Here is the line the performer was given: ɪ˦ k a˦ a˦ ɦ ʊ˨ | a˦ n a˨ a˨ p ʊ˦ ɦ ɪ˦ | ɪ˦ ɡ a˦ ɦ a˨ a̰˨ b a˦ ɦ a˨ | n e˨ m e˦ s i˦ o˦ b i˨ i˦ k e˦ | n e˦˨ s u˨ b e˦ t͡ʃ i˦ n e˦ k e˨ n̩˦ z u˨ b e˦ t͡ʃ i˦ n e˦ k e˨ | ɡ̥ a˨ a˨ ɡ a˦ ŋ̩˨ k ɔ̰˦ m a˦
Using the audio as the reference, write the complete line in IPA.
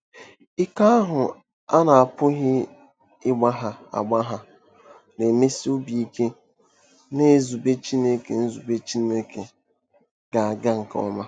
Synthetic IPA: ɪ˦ k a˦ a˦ ɦ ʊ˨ | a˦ n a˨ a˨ p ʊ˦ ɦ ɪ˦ | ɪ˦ ɡ͡b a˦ ɦ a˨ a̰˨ ɡ͡b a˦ ɦ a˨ | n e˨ m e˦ s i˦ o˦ b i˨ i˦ k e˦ | n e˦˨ z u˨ b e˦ t͡ʃ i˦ n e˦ k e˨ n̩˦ z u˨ b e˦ t͡ʃ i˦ n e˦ k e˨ | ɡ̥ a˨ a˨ ɡ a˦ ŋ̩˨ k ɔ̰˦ m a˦